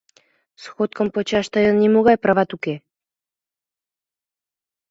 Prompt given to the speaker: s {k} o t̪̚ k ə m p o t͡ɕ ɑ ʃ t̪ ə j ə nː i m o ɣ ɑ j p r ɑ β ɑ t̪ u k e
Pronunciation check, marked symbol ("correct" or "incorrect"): incorrect